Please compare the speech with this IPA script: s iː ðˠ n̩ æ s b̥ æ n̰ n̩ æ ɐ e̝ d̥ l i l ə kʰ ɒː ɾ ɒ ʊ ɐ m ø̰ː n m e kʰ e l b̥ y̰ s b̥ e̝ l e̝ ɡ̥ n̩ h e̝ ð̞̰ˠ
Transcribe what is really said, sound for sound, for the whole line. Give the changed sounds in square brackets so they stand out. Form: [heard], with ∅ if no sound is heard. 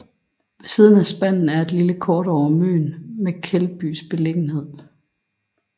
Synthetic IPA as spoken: s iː ðˠ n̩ æ s b̥ æ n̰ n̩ æ ɐ e̝ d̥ l i l ə kʰ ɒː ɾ ɒ ʊ ɐ m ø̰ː n m e kʰ e l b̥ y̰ s b̥ e̝ l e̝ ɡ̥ n̩ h e̝ ð̞̰ˠ